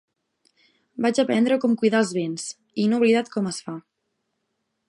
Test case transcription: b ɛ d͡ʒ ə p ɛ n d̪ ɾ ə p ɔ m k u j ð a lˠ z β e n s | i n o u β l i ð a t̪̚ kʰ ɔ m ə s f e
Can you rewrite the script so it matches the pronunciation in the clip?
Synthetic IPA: b a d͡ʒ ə p ɛ n d̪ ɾ ə k ɔ m k u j ð a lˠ z β e n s | i n o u β l i ð a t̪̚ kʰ ɔ m ə s f a